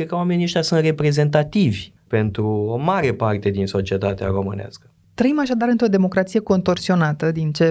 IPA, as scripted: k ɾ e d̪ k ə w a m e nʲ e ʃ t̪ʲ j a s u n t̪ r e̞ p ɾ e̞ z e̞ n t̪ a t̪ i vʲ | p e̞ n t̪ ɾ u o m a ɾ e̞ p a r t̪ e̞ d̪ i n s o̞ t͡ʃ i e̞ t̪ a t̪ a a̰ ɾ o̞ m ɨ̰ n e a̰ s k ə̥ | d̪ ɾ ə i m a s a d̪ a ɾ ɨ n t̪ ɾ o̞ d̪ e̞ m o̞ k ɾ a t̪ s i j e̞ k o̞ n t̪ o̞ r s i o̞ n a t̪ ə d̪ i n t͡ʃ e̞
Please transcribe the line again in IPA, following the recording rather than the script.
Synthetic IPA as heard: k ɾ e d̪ k ə w a m e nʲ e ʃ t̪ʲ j a s u n t̪ r e̞ p ɾ e̞ z e̞ n t̪ a t̪ i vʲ | p e̞ n t̪ ɾ u o m a ɾ e̞ p a r t̪ e̞ d̪ i n s o̞ t͡ʃ i e̞ t̪ a t̪ e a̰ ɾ o̞ m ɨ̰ n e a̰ s k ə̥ | t̪ ɾ ə i m a ʃ a d̪ a ɾ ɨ n t̪ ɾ o̞ d̪ e̞ m o̞ k ɾ a t̪ s i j e̞ k o̞ n t̪ o̞ r s i o̞ n a t̪ ə d̪ i n t͡ʃ e̞